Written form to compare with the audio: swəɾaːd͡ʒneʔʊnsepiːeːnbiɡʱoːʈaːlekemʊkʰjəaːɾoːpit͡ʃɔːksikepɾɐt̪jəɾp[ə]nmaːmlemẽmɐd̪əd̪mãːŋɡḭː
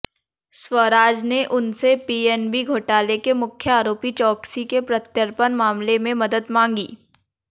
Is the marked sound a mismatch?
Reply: no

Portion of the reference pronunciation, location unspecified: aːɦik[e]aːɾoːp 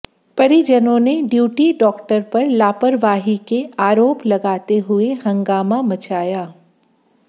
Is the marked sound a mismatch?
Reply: no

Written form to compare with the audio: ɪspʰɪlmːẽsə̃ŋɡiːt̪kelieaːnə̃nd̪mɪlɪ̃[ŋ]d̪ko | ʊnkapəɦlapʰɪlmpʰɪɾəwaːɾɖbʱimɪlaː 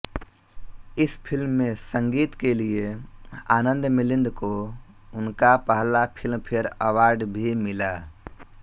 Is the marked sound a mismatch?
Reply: yes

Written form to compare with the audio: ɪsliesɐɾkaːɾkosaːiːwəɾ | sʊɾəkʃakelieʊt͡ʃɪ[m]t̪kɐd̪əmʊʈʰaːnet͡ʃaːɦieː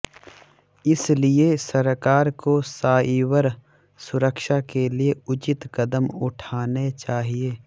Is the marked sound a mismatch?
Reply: yes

